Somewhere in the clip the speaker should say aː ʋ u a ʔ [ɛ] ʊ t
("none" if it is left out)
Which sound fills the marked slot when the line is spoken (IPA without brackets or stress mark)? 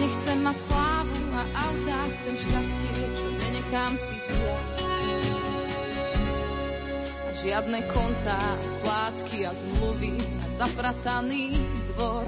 a